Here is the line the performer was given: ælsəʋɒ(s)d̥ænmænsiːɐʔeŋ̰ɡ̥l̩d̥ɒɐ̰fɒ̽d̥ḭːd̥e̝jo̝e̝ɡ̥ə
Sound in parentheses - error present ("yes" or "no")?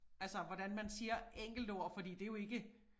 yes